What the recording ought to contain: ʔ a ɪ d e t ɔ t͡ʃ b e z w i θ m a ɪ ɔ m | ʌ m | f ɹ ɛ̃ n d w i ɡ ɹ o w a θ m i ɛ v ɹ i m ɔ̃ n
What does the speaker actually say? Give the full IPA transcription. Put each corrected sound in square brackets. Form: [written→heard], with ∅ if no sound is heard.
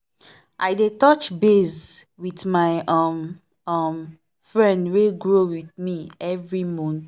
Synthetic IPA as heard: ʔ a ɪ d e t ɔ t͡ʃ b e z w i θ m a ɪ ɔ m | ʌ m | f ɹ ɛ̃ n d w [i→e] ɡ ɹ o w [a→i] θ m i ɛ v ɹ i m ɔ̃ n